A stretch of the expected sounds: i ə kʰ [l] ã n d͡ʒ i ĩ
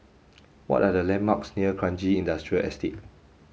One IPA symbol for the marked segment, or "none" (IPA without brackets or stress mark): ɹ